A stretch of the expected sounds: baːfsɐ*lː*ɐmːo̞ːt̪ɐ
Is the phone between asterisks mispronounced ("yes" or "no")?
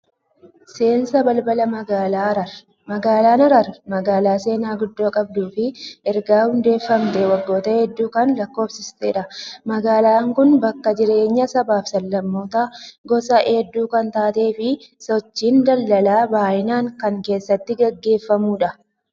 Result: no